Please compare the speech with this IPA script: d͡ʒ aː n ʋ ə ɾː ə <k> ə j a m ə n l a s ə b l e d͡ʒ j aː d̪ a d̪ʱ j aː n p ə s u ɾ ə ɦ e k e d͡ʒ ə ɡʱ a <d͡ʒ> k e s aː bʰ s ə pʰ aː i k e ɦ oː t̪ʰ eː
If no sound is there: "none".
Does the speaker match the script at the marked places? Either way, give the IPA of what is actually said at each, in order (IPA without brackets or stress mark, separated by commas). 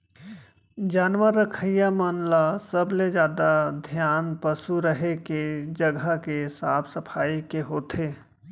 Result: kʰ, none